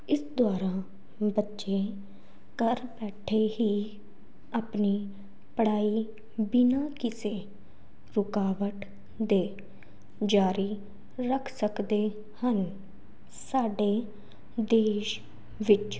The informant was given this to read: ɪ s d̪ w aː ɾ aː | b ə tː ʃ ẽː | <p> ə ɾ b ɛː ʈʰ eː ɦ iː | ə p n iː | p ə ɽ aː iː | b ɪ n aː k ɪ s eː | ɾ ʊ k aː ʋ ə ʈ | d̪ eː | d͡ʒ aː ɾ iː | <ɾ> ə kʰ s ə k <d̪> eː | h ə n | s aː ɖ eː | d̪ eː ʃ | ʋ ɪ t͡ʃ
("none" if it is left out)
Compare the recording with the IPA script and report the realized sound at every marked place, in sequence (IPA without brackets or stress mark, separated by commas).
k, ɾ, d̪